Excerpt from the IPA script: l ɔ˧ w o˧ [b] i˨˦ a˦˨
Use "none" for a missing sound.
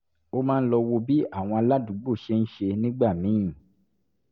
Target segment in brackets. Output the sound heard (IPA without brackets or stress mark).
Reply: b